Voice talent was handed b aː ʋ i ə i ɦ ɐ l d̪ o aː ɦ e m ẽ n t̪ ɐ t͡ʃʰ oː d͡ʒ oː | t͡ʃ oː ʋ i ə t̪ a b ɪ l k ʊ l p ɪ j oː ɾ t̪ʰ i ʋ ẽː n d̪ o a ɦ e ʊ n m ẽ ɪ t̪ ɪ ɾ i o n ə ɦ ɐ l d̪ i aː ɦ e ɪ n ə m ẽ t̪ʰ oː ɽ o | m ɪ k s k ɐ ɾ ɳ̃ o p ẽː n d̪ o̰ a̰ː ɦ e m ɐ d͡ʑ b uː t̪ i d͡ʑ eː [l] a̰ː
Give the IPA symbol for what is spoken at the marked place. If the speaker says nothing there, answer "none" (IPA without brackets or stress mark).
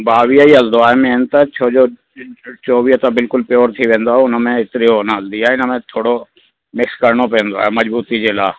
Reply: l